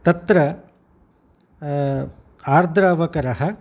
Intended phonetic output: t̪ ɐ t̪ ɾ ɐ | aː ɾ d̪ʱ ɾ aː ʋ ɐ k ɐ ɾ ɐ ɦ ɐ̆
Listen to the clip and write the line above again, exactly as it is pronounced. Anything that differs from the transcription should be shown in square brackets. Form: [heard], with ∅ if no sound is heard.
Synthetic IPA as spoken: t̪ ɐ t̪ ɾ ɐ | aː ɾ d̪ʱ ɾ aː ʋ ɐ k ɐ ɾ ɐ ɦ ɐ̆